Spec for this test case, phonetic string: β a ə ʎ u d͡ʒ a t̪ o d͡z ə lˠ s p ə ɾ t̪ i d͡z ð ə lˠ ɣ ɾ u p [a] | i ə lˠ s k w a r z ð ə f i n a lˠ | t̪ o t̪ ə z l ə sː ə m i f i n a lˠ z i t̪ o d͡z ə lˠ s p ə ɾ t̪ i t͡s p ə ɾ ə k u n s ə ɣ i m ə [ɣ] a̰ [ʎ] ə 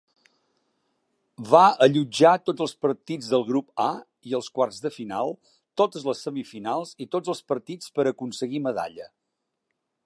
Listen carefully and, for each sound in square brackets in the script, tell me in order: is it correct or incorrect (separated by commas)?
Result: correct, incorrect, correct